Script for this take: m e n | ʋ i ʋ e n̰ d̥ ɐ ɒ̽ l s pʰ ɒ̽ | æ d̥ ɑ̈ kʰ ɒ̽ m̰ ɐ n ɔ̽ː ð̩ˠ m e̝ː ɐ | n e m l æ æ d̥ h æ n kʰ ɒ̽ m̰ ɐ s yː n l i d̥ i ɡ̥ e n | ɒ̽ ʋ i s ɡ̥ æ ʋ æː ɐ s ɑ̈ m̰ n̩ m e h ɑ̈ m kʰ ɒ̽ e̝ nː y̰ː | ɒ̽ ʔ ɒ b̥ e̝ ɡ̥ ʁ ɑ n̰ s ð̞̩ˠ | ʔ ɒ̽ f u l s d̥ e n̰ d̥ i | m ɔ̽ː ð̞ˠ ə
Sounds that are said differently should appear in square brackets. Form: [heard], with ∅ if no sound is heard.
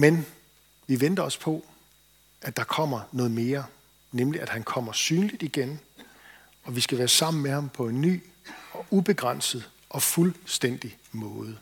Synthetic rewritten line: m e n | ʋ i ʋ e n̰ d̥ ɐ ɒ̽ [∅] s pʰ ɒ̽ | æ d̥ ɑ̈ kʰ ɒ̽ m̰ ɐ n ɔ̽ː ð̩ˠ m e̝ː ɐ | n e m l [i] æ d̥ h æ n kʰ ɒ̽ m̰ ɐ s yː n l i d̥ i ɡ̥ e n | ɒ̽ ʋ i s ɡ̥ æ ʋ æː ɐ s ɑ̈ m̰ n̩ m e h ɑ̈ m [pʰ] ɒ̽ e̝ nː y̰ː | ɒ̽ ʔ [u] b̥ e̝ ɡ̥ ʁ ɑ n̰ s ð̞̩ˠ | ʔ ɒ̽ f u l s d̥ e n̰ d̥ i | m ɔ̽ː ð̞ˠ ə